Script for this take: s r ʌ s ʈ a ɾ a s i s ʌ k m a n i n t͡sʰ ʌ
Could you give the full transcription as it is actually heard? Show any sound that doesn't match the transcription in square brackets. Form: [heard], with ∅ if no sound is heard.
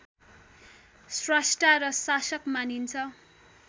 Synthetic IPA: s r [a] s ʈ a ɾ [ʌ] s [a] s ʌ k m a n i n t͡sʰ ʌ